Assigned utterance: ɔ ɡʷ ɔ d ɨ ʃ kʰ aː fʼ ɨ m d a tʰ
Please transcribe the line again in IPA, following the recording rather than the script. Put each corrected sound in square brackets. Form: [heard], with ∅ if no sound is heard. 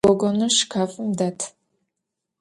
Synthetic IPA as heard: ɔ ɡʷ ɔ [n] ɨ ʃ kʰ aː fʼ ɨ m d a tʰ

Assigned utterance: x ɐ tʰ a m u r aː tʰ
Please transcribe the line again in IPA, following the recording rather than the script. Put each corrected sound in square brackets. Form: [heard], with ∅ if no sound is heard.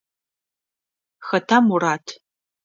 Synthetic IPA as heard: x ɐ tʰ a m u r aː tʰ

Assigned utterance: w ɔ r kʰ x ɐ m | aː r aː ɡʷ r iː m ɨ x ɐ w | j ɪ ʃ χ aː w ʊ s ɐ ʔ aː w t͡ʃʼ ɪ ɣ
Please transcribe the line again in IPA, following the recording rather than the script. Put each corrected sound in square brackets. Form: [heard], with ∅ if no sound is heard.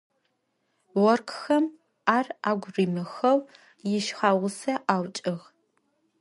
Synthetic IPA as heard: w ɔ r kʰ x ɐ m | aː r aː ɡʷ r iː m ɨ x ɐ w | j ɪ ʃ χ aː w ʊ s ɐ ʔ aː w t͡ʃʼ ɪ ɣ

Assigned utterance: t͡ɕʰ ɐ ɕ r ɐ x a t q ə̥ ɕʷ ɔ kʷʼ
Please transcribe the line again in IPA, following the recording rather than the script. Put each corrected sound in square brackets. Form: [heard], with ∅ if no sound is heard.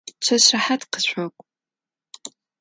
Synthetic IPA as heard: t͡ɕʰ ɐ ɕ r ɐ [ħ] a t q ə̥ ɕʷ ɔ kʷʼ

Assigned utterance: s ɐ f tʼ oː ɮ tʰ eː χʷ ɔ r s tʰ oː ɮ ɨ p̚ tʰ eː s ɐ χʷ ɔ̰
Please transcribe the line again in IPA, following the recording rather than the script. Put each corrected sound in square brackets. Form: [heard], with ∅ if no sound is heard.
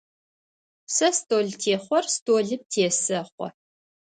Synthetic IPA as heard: s ɐ [s] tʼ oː ɮ tʰ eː χʷ ɔ r s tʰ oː ɮ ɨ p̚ tʰ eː s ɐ χʷ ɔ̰

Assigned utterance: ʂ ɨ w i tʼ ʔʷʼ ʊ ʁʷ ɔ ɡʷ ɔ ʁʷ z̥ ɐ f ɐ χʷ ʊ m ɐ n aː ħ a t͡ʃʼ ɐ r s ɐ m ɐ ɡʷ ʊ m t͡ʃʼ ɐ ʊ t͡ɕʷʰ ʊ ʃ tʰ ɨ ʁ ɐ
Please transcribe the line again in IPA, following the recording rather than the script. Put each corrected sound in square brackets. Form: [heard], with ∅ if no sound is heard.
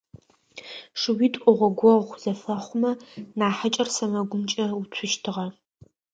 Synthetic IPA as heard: ʂ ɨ w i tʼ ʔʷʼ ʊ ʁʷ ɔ ɡʷ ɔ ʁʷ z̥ ɐ f ɐ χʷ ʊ m ɐ n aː ħ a t͡ʃʼ ɐ r s ɐ m ɐ ɡʷ ʊ m t͡ʃʼ ɐ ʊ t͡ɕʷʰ ʊ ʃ tʰ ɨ ʁ ɐ

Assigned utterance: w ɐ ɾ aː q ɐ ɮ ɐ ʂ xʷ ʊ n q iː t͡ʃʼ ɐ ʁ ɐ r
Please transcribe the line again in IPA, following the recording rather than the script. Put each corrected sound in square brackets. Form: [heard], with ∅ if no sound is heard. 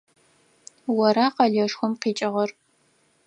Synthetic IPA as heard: w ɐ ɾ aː q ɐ ɮ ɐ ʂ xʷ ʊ [m] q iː t͡ʃʼ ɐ ʁ ɐ r

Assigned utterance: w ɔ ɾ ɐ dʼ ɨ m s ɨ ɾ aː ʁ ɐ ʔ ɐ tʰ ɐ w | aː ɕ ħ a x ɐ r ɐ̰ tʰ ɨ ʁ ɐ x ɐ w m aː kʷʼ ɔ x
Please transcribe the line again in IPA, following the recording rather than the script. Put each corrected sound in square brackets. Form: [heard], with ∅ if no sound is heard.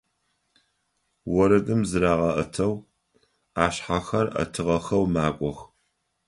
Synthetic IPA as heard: w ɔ ɾ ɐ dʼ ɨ m [z] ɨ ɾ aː ʁ ɐ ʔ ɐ tʰ ɐ w | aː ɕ ħ a x ɐ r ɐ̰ tʰ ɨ ʁ ɐ x ɐ w m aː kʷʼ ɔ x

